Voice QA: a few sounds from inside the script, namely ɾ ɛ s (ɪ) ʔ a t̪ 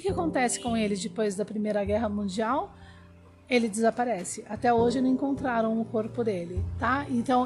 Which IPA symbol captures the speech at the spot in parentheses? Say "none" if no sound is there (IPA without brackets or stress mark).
ɪ